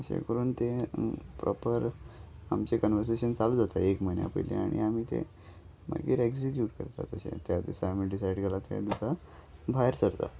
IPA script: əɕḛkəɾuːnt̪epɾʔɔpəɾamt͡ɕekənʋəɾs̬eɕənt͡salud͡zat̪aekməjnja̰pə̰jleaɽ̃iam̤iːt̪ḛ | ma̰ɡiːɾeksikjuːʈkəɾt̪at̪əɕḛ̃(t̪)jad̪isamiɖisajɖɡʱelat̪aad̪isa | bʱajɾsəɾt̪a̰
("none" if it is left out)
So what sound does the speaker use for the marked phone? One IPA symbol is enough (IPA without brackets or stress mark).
t̪